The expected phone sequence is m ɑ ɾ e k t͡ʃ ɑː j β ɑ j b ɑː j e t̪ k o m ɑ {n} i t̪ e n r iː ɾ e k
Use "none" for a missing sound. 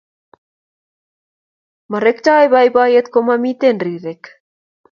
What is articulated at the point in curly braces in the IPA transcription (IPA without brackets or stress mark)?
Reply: m